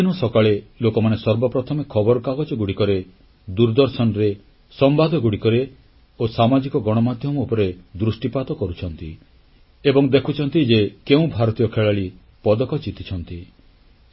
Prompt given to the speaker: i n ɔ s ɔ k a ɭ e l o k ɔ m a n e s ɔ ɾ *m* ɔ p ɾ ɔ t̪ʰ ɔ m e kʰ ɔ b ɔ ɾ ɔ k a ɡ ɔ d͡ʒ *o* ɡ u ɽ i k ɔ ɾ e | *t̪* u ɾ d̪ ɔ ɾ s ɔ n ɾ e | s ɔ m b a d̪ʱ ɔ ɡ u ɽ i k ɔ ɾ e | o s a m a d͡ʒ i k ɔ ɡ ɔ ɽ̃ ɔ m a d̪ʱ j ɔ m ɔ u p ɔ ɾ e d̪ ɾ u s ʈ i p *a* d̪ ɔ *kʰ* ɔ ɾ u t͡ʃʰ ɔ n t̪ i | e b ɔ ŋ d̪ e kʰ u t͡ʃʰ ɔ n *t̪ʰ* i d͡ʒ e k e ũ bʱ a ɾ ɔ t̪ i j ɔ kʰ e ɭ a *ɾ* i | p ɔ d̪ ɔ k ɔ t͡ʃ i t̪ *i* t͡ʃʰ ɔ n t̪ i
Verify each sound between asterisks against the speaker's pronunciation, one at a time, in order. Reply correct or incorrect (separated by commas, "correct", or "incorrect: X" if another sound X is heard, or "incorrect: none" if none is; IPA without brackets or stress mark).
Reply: incorrect: b, incorrect: ɔ, incorrect: d̪, correct, incorrect: k, incorrect: t̪, incorrect: ɭ, correct